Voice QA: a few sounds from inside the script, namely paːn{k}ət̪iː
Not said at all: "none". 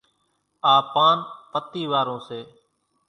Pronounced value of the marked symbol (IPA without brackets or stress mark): p